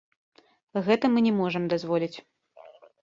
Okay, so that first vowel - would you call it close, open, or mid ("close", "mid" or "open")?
mid